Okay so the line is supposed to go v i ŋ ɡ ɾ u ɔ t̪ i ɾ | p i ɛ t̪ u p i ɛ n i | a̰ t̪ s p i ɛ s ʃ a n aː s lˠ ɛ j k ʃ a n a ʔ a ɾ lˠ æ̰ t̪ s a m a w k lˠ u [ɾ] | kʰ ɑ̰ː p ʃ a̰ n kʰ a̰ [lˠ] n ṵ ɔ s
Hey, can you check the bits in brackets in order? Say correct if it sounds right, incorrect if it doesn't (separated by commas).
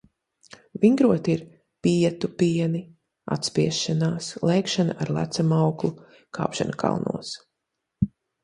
incorrect, correct